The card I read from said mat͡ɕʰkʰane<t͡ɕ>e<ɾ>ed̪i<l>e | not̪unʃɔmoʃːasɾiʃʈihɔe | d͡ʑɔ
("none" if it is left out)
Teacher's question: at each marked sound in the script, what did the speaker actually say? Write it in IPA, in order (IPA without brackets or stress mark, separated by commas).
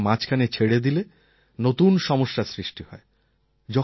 t͡ɕʰ, ɽ, l